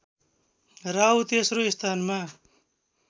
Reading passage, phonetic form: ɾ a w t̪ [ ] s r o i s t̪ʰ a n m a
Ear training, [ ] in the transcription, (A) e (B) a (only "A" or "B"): A